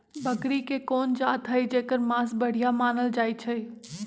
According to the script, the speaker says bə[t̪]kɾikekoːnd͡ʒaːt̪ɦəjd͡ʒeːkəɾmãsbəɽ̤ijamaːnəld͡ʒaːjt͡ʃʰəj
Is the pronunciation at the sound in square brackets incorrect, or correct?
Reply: incorrect